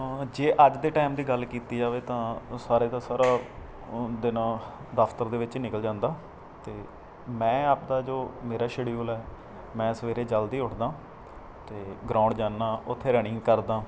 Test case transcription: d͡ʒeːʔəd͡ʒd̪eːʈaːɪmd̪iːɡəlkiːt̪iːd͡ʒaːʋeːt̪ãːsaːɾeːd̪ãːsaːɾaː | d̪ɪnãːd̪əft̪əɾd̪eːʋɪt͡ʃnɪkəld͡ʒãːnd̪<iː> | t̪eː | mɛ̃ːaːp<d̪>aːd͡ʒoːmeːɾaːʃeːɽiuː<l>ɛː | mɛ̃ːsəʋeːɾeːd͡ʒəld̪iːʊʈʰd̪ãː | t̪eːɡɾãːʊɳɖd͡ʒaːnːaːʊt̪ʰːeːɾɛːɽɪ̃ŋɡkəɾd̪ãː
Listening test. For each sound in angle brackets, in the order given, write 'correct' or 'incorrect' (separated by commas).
incorrect, correct, correct